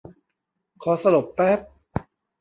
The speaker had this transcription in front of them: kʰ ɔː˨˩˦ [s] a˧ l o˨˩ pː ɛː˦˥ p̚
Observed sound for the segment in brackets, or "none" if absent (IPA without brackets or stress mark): s